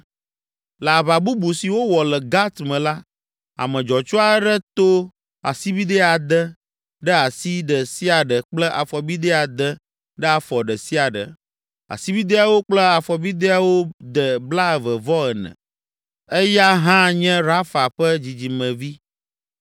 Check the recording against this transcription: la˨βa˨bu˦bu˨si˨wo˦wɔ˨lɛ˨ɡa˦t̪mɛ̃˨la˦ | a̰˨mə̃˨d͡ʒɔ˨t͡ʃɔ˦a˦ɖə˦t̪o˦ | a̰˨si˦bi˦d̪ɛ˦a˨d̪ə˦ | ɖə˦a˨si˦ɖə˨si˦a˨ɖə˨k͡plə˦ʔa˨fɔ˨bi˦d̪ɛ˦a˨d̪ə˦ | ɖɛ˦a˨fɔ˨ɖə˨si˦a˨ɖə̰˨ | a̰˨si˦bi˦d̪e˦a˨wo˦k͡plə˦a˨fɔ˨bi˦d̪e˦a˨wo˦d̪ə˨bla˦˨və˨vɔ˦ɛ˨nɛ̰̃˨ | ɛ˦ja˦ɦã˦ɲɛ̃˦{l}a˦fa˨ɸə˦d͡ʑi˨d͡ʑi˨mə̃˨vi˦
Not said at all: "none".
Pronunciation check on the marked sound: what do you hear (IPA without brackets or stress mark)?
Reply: ɾ